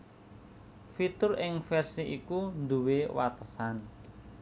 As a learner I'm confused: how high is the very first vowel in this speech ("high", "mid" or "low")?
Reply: high